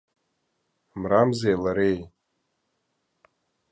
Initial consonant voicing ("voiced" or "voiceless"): voiced